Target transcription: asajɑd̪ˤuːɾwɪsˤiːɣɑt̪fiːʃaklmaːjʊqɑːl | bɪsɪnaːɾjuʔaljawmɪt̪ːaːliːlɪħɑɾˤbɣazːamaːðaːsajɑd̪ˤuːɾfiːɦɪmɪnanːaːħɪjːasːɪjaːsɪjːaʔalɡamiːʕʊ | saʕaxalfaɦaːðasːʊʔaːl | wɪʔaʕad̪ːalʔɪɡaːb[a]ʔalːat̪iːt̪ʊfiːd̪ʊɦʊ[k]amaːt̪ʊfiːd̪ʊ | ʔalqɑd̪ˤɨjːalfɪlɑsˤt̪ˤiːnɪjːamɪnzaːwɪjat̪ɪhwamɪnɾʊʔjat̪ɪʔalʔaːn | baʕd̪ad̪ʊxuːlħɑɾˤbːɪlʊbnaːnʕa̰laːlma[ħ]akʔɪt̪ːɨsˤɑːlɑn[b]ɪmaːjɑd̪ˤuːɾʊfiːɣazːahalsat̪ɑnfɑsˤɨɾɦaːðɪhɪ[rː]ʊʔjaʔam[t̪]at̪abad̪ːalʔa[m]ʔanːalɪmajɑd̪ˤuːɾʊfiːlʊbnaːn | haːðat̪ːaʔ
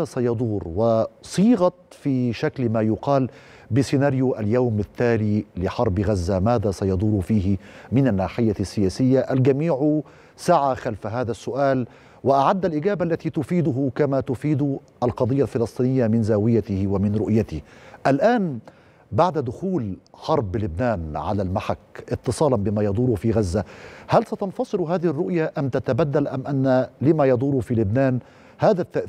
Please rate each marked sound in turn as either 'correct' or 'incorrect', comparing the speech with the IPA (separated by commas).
correct, correct, correct, correct, correct, correct, correct